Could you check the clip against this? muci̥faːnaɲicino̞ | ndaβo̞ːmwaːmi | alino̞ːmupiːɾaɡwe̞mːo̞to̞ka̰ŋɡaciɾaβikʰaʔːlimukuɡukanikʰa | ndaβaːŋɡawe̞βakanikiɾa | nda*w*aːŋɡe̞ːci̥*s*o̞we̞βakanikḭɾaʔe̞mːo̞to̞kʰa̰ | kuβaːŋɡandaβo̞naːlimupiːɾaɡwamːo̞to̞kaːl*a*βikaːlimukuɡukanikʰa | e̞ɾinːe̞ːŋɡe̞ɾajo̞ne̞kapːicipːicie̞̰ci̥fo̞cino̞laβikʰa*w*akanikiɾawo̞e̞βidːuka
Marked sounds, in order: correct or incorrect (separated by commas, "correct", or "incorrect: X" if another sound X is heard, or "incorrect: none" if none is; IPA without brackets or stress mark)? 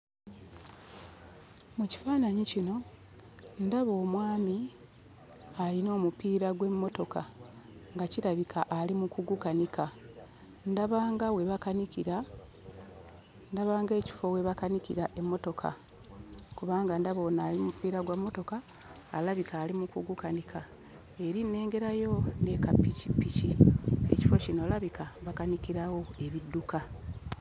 incorrect: β, incorrect: f, correct, incorrect: β